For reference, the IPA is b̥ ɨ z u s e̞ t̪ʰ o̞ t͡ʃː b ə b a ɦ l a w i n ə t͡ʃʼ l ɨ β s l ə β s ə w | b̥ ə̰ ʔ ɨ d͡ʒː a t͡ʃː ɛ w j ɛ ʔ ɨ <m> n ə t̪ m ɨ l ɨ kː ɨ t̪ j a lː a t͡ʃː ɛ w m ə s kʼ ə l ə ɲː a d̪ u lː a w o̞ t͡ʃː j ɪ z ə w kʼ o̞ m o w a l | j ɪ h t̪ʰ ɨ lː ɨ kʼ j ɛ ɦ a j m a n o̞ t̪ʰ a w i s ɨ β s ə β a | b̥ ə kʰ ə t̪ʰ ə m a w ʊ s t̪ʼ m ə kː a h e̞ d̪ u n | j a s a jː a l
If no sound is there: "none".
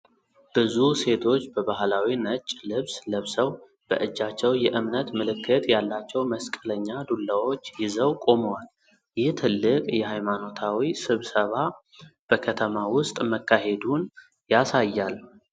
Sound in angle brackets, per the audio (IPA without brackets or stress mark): m